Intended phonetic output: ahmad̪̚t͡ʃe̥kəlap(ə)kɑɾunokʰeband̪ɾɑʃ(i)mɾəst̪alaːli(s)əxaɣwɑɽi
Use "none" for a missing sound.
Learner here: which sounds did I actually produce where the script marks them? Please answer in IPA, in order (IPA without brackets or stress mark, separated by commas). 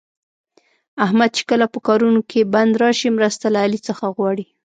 ə, i, t͡s